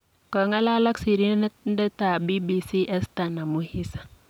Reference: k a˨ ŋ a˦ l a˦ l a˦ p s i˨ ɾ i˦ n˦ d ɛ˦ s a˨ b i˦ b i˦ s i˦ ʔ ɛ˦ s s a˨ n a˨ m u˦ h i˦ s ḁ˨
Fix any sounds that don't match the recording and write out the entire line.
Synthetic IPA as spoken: k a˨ ŋ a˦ l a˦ l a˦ k s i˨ ɾ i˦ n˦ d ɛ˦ t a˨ b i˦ b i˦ s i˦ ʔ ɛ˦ s t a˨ n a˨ m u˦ h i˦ s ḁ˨